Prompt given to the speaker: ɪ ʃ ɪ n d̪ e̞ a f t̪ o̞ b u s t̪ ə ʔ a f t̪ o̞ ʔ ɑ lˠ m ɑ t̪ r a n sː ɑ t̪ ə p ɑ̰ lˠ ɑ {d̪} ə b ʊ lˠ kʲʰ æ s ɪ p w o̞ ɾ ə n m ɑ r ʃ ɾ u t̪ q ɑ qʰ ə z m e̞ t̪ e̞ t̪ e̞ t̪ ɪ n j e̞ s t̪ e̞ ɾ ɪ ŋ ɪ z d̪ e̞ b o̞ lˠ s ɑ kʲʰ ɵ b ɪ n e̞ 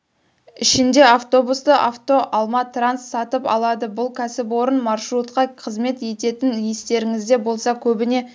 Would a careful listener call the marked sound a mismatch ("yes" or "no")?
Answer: no